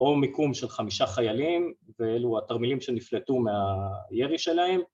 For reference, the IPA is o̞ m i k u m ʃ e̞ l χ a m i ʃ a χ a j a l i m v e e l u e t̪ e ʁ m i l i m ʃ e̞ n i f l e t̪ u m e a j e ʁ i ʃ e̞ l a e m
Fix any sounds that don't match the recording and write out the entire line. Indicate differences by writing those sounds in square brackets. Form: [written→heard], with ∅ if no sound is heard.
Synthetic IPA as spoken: o̞ m i k u m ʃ e̞ l χ a m i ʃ a χ a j a l i m v e e l u [e→a] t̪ [e→a] ʁ m i l i m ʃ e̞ n i f l e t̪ u m e a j e ʁ i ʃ e̞ l a e m